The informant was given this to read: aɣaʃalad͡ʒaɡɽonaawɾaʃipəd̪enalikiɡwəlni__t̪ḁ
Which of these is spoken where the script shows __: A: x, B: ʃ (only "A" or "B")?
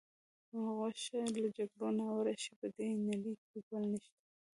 B